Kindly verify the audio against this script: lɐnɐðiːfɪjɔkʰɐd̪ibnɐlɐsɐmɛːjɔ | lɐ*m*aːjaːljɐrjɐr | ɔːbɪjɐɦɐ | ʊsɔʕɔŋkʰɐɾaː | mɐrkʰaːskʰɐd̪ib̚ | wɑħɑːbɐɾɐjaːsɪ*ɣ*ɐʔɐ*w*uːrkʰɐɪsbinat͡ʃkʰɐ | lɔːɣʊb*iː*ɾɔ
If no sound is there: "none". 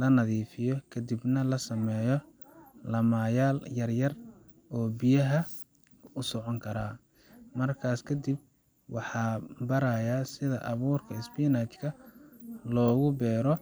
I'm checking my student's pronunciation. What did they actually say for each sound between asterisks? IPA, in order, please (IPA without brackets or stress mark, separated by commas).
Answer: m, ð, β, ɛː